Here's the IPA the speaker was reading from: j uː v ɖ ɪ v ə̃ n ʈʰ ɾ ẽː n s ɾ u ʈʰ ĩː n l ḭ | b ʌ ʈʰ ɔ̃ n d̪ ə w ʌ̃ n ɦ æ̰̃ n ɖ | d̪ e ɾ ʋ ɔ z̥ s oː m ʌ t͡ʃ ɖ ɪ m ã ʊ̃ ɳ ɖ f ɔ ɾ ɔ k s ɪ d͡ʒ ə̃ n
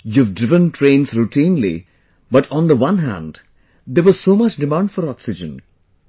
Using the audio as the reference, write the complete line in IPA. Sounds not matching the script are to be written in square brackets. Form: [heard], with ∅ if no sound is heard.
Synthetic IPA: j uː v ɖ ɪ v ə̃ n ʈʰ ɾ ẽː n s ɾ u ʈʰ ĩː n l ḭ | b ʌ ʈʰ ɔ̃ n d̪ ə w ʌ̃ n ɦ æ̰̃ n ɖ | d̪ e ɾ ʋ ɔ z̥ s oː m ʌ t͡ʃ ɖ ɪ m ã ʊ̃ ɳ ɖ f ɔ ɾ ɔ k s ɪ d͡ʒ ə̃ n

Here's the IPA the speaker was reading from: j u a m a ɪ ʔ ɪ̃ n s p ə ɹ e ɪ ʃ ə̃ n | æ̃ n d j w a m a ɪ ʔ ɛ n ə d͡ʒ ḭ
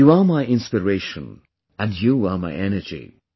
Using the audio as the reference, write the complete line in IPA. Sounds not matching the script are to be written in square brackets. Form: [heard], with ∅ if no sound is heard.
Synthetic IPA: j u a m a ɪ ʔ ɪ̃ n s p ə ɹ e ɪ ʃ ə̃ n | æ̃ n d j [u] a m a ɪ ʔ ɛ n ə d͡ʒ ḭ

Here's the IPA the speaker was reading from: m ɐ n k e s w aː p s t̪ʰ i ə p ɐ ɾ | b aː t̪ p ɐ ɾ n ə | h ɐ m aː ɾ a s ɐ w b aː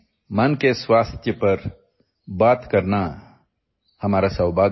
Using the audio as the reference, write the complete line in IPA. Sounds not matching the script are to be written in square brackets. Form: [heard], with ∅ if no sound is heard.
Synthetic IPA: m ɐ n k e s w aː [∅] s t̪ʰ [j] ə p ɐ ɾ | b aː t̪ [k] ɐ ɾ n [a] | h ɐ m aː ɾ a s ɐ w b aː

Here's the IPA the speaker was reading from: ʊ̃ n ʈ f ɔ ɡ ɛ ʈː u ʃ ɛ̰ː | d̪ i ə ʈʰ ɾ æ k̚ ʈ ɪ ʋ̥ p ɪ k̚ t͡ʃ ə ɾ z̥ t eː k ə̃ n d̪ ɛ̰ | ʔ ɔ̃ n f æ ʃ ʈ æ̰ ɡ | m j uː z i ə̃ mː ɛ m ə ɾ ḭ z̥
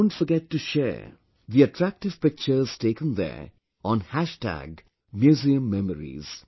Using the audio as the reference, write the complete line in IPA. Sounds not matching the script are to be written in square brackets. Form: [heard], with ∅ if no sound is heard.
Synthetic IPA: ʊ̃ n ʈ f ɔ ɡ ɛ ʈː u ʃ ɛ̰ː | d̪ i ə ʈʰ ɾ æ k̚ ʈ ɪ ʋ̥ p ɪ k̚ t͡ʃ ə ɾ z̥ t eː k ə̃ n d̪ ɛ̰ | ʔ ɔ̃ n [h] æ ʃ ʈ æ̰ ɡ | m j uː z i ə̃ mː ɛ m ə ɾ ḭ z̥

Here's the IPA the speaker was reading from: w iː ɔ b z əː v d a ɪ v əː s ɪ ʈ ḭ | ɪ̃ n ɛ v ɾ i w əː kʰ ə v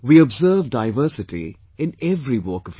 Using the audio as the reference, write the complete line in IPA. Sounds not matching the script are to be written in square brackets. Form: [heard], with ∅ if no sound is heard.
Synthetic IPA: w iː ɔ b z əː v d a ɪ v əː s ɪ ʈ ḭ | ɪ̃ n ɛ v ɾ i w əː [k] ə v

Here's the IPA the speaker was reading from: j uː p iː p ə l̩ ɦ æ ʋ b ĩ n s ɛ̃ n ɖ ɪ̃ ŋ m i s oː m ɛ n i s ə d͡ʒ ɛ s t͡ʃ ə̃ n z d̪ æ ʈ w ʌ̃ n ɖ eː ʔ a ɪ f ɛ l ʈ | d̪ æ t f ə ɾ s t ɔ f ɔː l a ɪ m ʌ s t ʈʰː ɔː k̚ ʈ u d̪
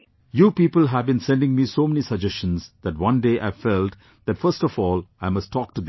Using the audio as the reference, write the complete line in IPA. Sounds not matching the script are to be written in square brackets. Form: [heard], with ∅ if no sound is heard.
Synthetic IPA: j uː p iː p ə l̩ ɦ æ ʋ b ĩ n s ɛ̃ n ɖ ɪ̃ ŋ m i s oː m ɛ n i s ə d͡ʒ ɛ s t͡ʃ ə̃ n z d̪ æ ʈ w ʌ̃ n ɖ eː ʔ a ɪ f ɛ l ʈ | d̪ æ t f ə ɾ s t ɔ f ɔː l a ɪ m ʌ s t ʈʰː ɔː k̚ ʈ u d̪

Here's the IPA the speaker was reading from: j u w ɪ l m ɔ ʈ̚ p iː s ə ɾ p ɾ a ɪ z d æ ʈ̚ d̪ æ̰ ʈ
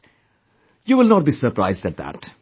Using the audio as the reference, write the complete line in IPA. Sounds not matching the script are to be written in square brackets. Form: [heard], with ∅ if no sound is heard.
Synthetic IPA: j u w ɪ l [n] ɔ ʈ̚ [b] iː s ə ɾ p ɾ a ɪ z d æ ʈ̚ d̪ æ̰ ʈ

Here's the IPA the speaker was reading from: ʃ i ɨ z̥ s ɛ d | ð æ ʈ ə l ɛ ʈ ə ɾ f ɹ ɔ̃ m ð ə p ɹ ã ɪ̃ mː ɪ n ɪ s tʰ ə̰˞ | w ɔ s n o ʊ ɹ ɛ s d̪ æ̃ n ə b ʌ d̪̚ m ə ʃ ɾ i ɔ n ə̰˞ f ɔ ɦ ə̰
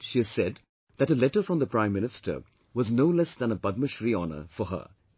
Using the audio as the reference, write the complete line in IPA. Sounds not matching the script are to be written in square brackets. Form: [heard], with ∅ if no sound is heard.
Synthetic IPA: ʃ i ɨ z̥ s ɛ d | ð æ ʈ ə l ɛ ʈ ə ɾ f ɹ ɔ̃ m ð ə p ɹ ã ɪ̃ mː ɪ n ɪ s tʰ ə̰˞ | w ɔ [z] n o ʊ [l] ɛ s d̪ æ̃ n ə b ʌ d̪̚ m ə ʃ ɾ i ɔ n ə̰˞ f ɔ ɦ ə̰

